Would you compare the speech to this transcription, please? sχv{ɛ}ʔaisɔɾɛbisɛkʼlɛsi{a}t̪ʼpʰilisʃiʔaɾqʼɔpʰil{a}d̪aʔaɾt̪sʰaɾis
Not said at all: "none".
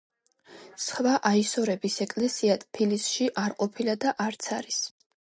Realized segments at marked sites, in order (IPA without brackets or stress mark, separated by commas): a, a, a